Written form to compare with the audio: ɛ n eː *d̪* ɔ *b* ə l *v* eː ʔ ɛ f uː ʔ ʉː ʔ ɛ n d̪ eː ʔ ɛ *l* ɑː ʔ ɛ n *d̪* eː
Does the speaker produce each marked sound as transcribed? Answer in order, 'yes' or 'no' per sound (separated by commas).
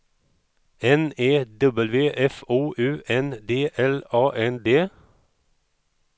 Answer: yes, yes, no, yes, yes